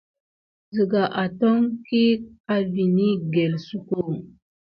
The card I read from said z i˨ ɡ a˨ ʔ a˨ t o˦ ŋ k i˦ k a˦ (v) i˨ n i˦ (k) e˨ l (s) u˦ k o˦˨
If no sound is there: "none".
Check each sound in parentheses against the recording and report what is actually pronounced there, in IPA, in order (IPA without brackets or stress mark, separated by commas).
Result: v, ɡ, s